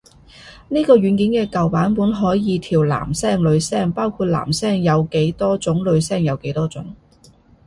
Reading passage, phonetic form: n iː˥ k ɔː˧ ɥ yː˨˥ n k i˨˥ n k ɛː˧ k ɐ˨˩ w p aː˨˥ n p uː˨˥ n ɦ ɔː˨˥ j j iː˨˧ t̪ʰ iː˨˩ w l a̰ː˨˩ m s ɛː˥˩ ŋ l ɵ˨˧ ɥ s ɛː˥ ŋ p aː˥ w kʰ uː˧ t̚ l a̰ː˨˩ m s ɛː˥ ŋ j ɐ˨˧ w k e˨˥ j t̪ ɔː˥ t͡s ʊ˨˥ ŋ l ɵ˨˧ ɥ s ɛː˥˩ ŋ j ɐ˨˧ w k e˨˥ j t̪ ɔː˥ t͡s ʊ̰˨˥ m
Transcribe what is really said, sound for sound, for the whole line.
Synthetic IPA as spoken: n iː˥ k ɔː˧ ɥ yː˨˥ n k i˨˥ n k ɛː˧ k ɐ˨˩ w p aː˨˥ n p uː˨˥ n ɦ ɔː˨˥ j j iː˨˧ t̪ʰ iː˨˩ w l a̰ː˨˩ m s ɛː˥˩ ŋ l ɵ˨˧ ɥ s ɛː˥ ŋ p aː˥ w kʰ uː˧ t̚ l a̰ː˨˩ m s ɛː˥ ŋ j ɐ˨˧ w k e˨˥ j t̪ ɔː˥ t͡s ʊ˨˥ ŋ l ɵ˨˧ ɥ s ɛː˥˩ ŋ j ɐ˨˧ w k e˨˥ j t̪ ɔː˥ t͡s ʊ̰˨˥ ŋ